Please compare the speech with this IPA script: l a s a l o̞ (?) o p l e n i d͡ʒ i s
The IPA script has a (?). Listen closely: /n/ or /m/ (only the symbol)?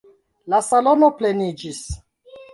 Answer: n